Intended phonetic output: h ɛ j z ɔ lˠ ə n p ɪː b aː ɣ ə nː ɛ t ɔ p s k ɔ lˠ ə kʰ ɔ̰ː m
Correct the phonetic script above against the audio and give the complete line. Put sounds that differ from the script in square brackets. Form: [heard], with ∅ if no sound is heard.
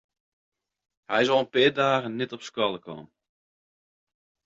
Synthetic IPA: h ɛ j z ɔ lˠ ə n p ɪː [d] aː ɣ ə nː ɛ t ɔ p s k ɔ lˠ ə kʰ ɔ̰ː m